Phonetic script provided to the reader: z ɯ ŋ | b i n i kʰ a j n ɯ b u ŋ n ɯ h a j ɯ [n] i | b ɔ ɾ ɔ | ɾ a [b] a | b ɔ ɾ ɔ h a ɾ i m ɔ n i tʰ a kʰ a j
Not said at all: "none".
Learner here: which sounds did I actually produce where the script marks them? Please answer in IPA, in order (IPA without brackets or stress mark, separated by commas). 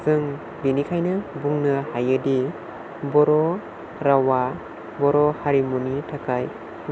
d, w